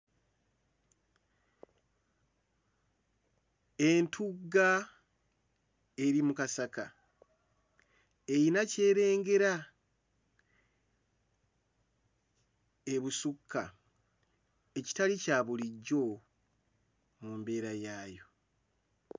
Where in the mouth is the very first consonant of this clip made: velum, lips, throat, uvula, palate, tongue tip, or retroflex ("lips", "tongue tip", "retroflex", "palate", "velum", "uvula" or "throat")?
tongue tip